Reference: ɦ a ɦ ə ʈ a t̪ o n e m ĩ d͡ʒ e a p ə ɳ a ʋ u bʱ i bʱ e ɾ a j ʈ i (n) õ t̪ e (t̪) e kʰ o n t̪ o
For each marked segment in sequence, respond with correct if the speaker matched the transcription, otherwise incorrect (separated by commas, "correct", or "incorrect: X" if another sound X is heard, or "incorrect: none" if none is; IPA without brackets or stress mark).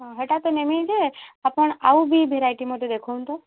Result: incorrect: m, incorrect: d̪